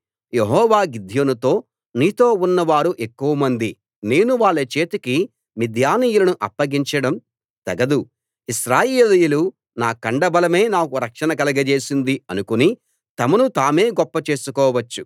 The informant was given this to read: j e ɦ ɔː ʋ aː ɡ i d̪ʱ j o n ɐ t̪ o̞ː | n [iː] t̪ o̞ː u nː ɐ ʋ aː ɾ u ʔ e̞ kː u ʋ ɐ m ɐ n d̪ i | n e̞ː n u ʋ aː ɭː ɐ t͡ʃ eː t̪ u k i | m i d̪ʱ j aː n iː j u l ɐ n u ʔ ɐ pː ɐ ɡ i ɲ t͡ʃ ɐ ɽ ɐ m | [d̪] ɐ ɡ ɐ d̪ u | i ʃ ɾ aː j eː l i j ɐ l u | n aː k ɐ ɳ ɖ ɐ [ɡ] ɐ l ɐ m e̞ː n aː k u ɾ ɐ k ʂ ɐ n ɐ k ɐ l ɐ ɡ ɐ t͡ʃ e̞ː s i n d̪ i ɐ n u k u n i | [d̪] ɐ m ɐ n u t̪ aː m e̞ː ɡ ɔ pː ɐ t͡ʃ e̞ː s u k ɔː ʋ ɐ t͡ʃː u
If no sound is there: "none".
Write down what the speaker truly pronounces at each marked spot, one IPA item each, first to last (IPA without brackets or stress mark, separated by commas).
iː, t̪, b, t̪